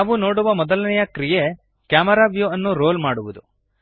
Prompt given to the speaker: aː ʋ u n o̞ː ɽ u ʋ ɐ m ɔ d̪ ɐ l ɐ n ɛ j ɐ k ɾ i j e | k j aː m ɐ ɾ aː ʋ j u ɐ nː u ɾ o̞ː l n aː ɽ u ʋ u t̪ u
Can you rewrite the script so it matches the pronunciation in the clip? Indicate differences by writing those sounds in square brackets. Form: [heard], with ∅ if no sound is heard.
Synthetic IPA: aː ʋ u n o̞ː ɽ u ʋ ɐ m ɔ d̪ ɐ l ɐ n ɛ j ɐ k ɾ i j e | k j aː m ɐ ɾ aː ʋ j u ɐ nː u ɾ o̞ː l [m] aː ɽ u ʋ u [d̪] u